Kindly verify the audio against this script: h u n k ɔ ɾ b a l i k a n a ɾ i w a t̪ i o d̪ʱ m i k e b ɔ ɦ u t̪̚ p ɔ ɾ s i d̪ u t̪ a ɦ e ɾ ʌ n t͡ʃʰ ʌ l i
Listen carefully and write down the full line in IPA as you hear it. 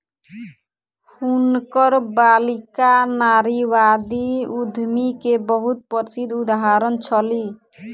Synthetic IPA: h u n k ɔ ɾ b a l i k a n a ɾ i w a d̪ i u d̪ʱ m i k e b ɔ ɦ u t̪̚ p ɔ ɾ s i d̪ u d̪ a ɦ a ɾ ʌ n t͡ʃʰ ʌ l i